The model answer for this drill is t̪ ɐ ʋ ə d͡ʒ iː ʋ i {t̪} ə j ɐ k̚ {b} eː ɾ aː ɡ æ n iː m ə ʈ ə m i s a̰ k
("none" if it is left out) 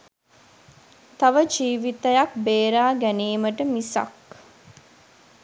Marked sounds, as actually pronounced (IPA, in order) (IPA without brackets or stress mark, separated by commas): t̪, b